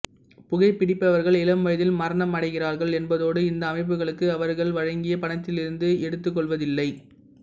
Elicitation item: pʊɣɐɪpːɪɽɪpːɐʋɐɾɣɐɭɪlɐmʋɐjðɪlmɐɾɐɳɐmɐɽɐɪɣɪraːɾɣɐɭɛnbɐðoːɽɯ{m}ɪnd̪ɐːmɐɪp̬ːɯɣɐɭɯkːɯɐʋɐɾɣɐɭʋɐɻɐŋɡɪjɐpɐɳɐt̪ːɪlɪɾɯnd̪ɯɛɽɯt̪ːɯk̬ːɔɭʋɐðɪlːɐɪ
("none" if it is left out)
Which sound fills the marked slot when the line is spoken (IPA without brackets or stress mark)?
none